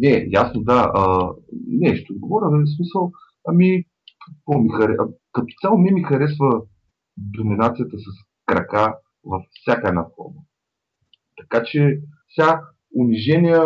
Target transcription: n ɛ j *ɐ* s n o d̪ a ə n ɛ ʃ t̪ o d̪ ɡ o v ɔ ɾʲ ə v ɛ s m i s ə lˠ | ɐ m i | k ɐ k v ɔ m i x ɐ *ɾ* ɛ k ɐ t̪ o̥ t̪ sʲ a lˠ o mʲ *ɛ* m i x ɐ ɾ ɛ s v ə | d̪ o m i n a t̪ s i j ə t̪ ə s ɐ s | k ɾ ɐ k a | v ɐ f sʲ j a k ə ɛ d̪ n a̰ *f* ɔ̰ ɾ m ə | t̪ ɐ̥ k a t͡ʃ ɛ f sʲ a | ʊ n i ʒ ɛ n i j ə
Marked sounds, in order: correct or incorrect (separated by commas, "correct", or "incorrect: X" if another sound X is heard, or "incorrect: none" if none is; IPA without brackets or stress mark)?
incorrect: a, correct, correct, correct